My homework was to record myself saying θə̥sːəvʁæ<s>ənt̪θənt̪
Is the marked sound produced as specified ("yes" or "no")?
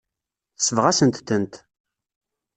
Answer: yes